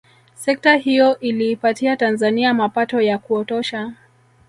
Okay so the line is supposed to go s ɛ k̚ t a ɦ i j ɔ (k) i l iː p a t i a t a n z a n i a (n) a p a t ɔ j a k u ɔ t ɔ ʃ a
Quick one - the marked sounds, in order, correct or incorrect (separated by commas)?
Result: incorrect, incorrect